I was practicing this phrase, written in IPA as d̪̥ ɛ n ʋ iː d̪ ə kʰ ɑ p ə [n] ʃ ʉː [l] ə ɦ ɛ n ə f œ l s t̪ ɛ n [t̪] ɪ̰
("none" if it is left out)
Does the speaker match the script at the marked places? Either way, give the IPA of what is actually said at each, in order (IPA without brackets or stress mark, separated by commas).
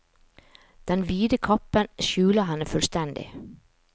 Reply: n, l, d̪